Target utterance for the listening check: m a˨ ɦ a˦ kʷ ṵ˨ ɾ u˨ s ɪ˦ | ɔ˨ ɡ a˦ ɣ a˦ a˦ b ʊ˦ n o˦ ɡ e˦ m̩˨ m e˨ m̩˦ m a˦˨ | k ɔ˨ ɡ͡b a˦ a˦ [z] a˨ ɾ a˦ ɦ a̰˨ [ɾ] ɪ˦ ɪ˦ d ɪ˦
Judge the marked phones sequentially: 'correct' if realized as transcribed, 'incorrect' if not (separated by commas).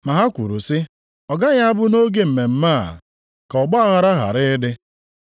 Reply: incorrect, correct